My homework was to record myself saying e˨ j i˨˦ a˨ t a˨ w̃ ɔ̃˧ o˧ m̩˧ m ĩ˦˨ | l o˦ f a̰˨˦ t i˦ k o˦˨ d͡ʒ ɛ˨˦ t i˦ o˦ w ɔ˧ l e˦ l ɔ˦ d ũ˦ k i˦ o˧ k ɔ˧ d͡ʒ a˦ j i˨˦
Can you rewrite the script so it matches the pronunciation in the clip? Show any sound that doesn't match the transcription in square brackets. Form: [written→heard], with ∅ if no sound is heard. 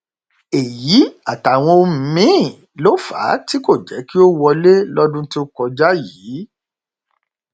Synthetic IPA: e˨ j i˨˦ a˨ t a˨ w̃ ɔ̃˧ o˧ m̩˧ m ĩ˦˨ | l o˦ f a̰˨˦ t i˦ k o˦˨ d͡ʒ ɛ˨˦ [t→k] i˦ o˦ w ɔ˧ l e˦ l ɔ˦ d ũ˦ [k→t] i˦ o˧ k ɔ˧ d͡ʒ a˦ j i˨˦